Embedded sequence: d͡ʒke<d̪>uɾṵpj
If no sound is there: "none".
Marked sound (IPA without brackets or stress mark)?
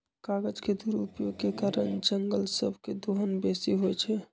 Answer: d̪